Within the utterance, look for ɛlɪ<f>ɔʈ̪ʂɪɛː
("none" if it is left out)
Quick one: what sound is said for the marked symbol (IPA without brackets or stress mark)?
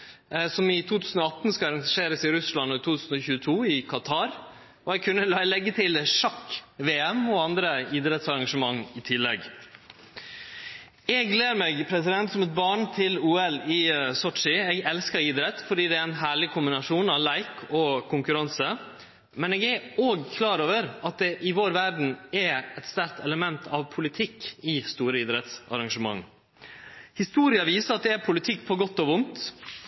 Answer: s